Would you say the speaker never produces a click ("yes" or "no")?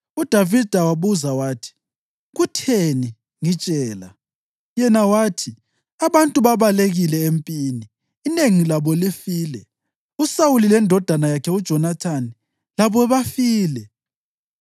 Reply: yes